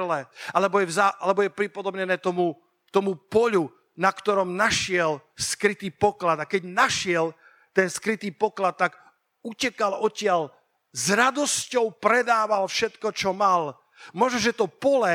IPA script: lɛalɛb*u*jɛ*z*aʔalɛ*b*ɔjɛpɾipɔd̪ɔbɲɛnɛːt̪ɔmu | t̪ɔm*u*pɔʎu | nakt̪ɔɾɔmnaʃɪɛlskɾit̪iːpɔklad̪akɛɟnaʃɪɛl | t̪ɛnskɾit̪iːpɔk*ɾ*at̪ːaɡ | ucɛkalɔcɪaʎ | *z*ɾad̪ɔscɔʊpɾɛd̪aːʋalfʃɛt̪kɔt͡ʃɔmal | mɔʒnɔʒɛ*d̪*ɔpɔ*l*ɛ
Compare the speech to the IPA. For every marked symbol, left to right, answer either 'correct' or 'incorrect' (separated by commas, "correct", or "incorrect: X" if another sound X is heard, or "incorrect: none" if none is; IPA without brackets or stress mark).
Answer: incorrect: ɔ, correct, correct, correct, incorrect: l, correct, incorrect: t̪, correct